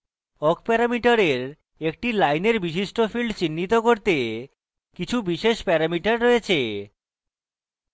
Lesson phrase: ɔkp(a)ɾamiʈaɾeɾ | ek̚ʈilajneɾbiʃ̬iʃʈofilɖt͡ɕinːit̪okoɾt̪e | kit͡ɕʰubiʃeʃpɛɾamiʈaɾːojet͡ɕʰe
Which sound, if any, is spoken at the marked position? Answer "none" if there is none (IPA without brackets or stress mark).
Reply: ɛ